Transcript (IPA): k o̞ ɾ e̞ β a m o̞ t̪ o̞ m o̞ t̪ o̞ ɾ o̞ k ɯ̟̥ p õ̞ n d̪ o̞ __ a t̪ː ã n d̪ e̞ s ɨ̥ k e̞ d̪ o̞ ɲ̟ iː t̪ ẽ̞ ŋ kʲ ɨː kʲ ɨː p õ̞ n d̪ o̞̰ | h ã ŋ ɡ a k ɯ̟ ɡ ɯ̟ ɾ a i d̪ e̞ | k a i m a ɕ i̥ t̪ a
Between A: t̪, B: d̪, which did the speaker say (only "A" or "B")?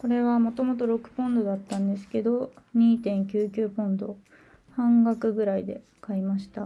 B